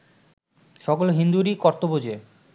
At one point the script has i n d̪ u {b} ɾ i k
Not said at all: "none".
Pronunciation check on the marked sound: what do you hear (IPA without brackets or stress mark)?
none